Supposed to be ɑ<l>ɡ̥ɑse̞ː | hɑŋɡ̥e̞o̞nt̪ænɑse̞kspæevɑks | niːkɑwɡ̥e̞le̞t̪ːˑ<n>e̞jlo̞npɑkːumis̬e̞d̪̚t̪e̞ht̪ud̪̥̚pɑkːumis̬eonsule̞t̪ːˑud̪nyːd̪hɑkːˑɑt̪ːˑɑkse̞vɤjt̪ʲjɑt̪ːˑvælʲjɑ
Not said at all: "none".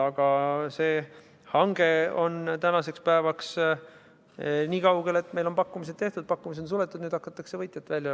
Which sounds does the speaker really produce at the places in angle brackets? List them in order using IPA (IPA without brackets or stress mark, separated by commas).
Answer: none, m